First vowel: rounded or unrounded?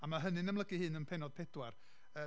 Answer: unrounded